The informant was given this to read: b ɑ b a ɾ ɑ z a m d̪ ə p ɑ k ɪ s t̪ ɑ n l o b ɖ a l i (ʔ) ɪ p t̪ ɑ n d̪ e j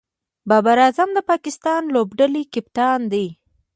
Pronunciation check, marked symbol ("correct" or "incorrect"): incorrect